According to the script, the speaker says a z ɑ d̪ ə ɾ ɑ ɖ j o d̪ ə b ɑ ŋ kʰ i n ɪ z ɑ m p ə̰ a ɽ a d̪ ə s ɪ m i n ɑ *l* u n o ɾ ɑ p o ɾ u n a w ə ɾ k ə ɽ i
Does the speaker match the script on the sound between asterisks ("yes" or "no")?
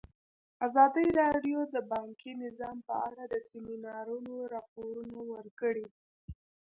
no